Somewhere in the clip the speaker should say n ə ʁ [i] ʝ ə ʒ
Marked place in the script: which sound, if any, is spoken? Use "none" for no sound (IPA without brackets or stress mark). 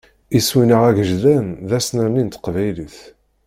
æ